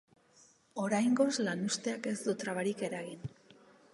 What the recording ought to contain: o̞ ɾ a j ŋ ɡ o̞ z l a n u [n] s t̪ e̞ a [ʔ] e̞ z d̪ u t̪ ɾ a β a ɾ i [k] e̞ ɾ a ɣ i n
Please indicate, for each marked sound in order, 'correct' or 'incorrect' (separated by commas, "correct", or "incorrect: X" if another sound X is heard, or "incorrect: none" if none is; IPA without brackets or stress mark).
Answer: incorrect: none, incorrect: k, correct